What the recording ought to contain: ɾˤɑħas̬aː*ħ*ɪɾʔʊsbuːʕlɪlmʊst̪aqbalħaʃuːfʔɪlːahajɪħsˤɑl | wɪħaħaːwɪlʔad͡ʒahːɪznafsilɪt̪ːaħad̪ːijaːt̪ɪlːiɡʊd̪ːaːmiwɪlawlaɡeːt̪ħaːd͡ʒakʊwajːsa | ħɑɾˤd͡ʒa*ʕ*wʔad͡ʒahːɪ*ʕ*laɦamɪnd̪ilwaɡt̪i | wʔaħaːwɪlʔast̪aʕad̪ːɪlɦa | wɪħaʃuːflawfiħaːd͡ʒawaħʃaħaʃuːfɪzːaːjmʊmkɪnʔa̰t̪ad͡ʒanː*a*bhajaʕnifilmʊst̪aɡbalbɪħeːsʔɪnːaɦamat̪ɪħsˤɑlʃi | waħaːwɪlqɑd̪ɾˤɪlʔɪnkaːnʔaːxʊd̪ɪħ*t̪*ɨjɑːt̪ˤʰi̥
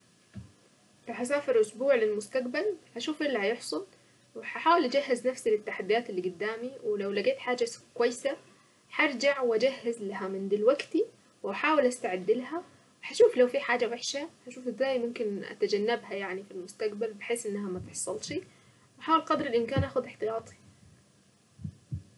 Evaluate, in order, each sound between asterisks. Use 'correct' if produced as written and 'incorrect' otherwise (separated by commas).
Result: incorrect, correct, incorrect, correct, correct